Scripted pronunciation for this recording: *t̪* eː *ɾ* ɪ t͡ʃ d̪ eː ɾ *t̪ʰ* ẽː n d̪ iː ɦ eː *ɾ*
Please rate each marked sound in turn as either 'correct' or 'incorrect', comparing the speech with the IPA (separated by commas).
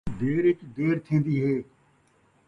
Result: incorrect, correct, correct, incorrect